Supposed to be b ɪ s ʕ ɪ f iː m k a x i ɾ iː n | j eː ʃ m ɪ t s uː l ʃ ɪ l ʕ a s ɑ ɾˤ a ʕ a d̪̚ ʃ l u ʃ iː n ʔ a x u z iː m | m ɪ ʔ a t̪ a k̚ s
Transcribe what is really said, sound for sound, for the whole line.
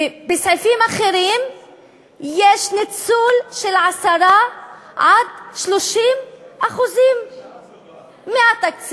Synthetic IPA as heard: b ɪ s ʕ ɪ f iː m ʔ a x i ɾ iː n | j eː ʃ n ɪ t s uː l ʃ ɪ l ʕ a s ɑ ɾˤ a ʕ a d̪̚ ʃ l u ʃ iː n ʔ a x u z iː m | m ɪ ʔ a t̪ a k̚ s